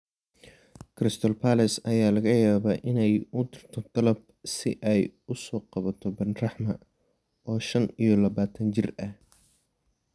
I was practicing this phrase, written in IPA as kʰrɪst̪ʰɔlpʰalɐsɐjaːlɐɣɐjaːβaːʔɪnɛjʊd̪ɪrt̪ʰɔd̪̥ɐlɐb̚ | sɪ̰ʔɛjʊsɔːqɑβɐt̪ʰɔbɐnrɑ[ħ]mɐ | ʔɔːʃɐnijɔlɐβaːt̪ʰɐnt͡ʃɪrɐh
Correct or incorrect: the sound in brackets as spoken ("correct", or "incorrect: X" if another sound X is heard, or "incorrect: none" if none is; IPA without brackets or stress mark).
correct